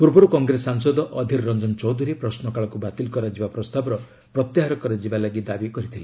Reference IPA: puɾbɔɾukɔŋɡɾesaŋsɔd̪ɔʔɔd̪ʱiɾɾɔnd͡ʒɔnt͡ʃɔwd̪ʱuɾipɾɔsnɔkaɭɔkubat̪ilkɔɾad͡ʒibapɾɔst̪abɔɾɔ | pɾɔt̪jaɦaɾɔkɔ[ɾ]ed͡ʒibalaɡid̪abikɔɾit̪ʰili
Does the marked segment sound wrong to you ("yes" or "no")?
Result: no